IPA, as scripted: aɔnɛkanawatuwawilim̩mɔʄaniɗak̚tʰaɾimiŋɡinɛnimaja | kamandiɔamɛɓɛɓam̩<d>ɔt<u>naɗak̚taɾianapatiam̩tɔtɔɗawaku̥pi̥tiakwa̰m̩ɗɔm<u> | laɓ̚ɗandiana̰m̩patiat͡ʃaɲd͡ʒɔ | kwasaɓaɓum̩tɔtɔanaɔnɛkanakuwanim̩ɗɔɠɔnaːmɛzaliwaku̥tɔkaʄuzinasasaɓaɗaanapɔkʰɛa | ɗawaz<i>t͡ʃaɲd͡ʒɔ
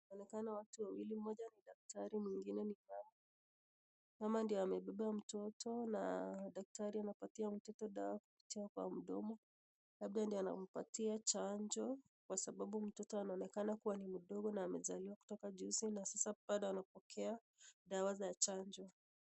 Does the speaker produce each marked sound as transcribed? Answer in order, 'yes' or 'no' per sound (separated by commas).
no, no, no, no